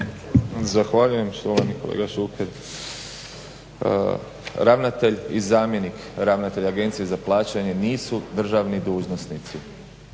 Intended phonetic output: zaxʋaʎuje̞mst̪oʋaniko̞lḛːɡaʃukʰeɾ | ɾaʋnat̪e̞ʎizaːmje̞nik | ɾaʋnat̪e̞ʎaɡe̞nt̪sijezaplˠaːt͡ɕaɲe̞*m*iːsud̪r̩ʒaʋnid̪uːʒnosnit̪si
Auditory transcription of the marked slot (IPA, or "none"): n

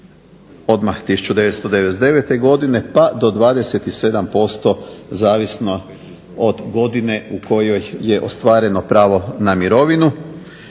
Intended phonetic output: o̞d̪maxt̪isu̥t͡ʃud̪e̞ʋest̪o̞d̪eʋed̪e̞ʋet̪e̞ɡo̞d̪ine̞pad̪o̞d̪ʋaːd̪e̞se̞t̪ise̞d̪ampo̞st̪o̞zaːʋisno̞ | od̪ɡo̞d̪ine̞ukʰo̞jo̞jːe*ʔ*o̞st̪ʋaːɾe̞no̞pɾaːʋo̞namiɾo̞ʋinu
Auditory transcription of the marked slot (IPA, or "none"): ʔ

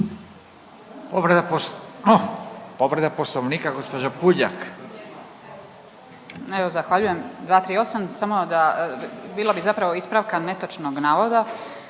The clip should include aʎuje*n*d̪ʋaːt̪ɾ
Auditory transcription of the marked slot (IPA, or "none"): m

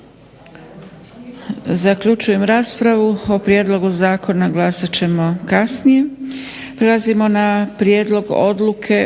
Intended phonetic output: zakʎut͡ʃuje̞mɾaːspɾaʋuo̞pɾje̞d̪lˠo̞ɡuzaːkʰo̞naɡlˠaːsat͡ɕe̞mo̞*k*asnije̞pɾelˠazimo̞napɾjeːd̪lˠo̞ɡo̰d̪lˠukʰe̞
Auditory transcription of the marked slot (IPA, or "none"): k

